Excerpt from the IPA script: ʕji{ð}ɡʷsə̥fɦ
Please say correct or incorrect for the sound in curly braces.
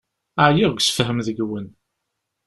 incorrect